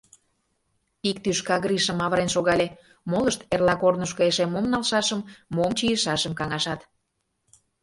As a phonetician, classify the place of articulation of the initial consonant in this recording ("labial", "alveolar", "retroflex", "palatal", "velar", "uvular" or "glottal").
velar